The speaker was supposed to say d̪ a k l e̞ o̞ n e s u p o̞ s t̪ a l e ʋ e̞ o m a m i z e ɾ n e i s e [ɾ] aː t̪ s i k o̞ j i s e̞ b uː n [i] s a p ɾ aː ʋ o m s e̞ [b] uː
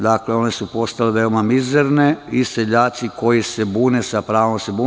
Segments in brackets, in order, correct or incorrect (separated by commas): incorrect, incorrect, correct